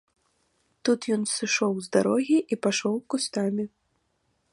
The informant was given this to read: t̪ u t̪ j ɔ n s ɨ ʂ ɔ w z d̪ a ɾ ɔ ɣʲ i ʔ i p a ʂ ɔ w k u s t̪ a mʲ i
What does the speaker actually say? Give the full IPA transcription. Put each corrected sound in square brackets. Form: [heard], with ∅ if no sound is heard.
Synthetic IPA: t̪ u t̪ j ɔ n s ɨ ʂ ɔ w z d̪ a ɾ ɔ ɣʲ i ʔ i p a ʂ ɔ w k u s t̪ a mʲ i